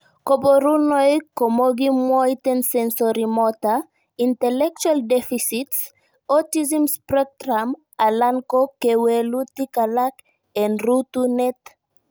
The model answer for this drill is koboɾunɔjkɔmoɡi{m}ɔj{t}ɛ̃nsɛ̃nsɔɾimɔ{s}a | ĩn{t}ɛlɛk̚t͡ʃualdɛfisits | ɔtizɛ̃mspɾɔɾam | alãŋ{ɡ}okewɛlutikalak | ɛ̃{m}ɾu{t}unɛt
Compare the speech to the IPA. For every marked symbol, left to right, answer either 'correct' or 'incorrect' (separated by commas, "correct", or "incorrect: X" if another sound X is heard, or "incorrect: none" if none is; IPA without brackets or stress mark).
correct, correct, incorrect: t, correct, incorrect: k, incorrect: n, correct